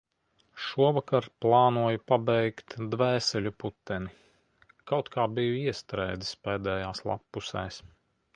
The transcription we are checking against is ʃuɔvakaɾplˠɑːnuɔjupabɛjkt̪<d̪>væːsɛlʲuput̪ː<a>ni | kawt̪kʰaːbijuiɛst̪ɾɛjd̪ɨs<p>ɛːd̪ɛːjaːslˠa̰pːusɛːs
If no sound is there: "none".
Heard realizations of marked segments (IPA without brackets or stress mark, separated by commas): d̪, ɛ, p